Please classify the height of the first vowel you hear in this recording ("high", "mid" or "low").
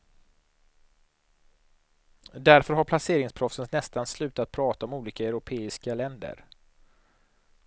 low